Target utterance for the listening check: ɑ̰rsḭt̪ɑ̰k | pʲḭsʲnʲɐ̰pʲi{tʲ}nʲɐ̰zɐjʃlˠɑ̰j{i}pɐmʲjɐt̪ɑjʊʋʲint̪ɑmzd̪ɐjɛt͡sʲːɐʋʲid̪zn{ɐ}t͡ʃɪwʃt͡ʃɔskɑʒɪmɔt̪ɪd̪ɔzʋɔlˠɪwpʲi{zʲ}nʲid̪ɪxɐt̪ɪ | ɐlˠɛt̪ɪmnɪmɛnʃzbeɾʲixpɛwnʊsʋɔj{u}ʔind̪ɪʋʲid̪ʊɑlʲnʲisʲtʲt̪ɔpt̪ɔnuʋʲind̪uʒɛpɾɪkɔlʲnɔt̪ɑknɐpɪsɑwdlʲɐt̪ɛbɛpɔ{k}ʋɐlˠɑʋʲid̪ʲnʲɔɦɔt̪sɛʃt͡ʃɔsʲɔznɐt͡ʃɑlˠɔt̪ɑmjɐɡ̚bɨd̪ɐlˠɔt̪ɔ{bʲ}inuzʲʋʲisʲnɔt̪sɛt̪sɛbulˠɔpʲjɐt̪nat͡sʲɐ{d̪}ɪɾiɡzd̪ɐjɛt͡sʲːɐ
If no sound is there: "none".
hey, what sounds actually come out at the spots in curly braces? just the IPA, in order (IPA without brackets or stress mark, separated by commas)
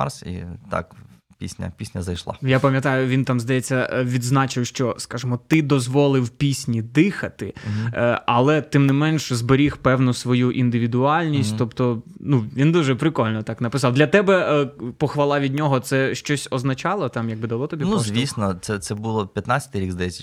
sʲ, a, ɑ, sʲ, u, x, bʲ, t̪